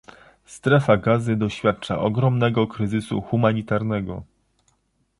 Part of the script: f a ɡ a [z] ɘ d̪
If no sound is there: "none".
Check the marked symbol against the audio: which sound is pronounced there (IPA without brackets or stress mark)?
z